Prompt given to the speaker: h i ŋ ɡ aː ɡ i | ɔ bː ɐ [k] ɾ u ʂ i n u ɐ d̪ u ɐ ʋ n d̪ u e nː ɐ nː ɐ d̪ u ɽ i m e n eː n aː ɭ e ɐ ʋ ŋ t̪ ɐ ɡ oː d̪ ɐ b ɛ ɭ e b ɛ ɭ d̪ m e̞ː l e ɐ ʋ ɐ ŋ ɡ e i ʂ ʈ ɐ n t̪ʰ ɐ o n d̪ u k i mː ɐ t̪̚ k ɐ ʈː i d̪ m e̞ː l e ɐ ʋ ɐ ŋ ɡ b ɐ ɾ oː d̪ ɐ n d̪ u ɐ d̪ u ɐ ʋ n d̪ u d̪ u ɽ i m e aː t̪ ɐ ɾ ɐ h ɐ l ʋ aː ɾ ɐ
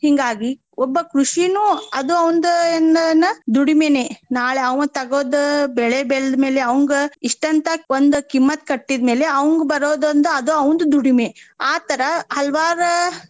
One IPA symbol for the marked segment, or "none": k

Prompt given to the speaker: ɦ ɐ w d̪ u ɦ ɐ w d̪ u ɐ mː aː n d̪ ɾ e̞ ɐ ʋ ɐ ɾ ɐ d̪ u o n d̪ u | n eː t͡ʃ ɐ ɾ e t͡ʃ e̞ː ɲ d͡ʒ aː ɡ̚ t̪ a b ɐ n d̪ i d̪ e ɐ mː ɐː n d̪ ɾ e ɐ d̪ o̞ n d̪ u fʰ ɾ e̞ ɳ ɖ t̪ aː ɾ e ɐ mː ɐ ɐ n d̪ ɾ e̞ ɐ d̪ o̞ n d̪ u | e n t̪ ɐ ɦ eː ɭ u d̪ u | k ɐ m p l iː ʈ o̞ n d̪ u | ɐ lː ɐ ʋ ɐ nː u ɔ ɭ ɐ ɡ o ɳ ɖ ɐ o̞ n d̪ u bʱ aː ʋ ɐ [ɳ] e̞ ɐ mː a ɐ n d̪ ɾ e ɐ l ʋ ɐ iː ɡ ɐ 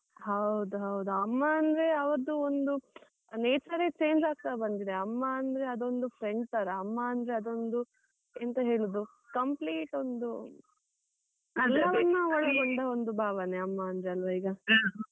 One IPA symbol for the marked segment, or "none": n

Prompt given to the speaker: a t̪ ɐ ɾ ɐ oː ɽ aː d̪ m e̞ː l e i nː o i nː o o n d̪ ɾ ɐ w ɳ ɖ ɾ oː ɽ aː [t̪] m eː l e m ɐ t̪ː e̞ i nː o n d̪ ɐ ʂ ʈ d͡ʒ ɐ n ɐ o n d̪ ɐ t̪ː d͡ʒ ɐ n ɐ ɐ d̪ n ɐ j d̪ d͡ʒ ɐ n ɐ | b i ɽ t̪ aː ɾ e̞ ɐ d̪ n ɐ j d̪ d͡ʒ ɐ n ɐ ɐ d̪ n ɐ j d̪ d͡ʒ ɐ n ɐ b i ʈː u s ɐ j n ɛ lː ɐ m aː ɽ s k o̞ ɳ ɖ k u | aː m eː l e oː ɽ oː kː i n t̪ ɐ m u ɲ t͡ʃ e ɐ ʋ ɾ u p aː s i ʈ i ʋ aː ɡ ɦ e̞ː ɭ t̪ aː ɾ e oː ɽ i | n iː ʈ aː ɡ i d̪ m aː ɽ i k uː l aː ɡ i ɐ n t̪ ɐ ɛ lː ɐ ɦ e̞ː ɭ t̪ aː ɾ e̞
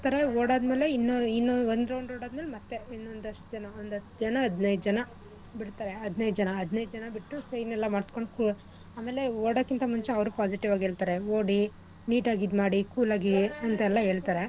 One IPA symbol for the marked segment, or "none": d̪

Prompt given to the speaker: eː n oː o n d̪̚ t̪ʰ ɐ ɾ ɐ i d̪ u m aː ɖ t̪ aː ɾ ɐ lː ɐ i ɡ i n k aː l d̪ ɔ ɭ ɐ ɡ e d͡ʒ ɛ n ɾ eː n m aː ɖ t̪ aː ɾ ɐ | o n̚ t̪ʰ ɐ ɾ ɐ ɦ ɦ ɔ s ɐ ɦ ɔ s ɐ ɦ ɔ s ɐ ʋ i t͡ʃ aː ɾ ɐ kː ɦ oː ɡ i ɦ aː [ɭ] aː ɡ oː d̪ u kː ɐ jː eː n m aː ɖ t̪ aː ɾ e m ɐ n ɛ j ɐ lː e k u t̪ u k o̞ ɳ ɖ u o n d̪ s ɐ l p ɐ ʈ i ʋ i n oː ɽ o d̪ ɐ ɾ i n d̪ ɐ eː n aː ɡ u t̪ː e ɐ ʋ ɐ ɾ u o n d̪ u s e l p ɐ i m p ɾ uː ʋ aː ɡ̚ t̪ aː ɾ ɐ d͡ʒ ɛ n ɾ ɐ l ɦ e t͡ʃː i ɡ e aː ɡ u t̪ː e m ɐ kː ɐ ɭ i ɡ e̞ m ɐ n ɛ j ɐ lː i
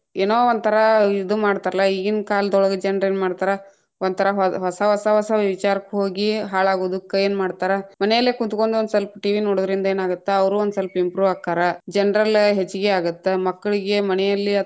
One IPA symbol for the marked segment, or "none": ɭ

